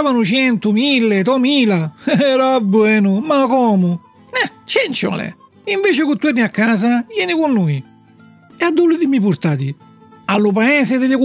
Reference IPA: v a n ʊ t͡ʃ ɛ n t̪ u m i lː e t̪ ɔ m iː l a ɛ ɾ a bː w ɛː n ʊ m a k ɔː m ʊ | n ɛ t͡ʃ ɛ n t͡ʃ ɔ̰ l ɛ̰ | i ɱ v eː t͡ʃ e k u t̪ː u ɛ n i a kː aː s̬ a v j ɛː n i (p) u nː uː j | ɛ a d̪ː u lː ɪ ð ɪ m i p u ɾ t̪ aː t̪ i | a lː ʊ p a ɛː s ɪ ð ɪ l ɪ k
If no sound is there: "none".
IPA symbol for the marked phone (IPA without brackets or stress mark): k